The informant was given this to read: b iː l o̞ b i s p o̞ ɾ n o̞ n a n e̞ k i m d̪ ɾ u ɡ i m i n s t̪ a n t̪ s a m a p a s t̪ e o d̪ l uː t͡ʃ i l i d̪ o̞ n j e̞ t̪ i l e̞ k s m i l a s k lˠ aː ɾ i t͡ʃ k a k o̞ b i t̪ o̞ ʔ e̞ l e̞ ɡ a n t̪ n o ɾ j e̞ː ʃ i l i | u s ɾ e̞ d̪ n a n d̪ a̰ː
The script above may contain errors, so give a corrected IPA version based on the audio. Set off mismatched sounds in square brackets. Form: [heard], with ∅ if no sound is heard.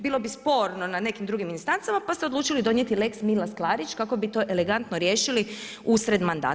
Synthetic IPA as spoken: b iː l o̞ b i s p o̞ ɾ n o̞ n a n e̞ k i m d̪ ɾ u ɡ i m i n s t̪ a n t̪ s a m a p a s t̪ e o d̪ l uː t͡ʃ i l i d̪ o̞ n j e̞ t̪ i l e̞ k s m i l a s k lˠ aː ɾ i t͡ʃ k a k o̞ b i t̪ o̞ ʔ e̞ l e̞ ɡ a n t̪ n o ɾ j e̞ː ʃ i l i | u s ɾ e̞ d̪ [m] a n d̪ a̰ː